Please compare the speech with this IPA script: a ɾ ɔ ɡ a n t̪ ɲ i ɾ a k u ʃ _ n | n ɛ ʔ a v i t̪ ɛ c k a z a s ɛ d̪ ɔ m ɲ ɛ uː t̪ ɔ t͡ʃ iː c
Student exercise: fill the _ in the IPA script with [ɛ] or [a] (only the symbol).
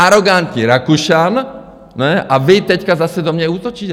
a